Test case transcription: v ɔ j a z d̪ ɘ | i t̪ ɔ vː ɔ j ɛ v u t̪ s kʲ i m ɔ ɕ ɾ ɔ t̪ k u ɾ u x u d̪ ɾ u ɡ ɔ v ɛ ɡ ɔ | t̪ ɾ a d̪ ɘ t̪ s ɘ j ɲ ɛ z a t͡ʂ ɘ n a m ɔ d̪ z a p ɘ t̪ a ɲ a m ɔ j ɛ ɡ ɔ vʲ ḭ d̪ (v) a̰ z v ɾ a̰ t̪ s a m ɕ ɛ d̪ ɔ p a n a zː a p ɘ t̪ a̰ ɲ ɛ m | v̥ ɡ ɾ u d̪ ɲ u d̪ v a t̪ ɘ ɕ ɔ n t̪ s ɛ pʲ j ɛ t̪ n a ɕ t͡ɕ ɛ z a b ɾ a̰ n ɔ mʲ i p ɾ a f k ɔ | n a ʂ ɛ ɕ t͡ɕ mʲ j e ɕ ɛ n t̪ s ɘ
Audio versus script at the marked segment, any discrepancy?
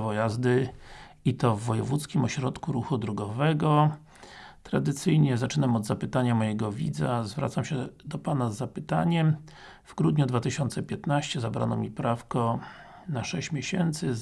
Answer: yes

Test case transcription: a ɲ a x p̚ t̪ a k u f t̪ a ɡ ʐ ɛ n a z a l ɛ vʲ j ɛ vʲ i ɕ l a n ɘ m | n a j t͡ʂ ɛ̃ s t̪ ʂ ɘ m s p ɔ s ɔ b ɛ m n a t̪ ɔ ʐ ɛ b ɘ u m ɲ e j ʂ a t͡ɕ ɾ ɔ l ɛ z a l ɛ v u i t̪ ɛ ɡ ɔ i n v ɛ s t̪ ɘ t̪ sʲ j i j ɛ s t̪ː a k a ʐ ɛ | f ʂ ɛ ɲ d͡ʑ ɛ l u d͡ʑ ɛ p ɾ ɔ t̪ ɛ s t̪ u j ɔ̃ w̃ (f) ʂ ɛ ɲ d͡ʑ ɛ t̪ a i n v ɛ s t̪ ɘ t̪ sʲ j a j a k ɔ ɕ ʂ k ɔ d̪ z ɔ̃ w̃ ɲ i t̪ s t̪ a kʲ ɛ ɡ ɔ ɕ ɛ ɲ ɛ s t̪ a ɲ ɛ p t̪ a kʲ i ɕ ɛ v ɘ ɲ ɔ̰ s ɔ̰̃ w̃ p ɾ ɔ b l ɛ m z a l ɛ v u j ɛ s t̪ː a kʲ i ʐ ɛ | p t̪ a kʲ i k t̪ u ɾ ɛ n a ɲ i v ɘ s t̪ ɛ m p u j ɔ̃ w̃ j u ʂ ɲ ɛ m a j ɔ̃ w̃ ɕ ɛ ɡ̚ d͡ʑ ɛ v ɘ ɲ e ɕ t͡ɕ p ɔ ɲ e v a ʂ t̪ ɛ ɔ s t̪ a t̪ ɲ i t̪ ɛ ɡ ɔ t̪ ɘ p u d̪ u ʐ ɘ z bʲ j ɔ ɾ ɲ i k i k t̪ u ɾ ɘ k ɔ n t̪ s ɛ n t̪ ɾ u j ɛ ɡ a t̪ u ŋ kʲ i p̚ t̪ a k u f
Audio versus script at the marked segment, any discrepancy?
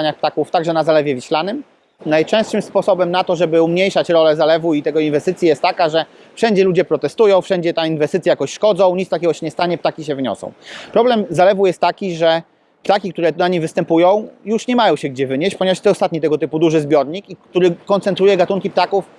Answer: no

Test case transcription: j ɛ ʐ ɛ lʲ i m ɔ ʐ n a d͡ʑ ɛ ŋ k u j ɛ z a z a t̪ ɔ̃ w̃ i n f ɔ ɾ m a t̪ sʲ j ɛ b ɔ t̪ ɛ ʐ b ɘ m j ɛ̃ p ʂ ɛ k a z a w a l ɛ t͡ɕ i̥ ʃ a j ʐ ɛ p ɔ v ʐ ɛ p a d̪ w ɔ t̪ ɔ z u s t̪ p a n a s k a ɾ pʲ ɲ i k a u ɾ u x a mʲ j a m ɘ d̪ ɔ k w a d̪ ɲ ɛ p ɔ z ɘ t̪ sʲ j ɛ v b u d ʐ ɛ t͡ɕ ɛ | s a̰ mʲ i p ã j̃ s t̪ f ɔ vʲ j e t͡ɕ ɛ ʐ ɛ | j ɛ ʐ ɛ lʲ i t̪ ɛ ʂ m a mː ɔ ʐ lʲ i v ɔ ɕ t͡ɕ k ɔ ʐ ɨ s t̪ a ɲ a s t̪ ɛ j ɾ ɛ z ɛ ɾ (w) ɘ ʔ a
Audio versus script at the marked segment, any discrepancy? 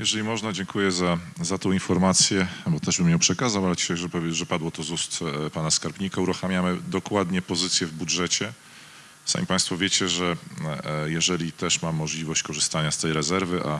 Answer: yes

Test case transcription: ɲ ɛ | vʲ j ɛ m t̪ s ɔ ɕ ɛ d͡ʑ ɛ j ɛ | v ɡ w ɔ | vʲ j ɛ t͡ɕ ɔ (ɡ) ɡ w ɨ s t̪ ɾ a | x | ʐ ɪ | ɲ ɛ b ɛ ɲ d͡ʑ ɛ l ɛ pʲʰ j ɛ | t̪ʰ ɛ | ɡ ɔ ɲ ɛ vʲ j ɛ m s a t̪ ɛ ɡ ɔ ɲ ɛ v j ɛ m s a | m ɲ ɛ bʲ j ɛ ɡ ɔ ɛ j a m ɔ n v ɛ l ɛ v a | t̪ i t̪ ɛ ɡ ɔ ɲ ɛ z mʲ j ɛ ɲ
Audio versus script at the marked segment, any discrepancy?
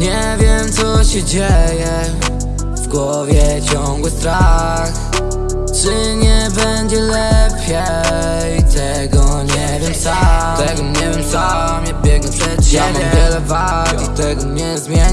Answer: yes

